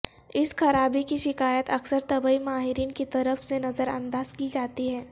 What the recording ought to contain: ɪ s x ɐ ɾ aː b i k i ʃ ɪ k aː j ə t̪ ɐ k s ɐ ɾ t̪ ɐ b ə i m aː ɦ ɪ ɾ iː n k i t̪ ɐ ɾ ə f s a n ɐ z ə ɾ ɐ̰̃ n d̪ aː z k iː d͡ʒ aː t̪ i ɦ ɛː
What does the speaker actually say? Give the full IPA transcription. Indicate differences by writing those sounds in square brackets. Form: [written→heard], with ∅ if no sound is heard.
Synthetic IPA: ɪ s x ɐ ɾ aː b i k i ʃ ɪ k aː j ə t̪ ɐ k s [ɐ→ə] ɾ t̪ ɐ b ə i m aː ɦ ɪ ɾ iː n k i t̪ ɐ ɾ ə f s [a→e] n ɐ z ə ɾ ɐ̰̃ n d̪ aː z k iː d͡ʒ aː t̪ i ɦ ɛː